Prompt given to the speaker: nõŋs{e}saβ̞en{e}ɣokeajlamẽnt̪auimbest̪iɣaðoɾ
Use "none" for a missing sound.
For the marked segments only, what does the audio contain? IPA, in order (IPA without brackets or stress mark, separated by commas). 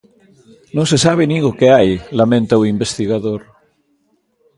e, i